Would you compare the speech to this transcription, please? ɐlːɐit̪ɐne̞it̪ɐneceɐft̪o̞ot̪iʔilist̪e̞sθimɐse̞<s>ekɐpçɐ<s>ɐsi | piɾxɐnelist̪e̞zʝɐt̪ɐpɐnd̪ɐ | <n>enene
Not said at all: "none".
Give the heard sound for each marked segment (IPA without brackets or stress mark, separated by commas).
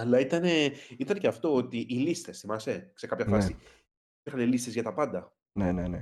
s, f, n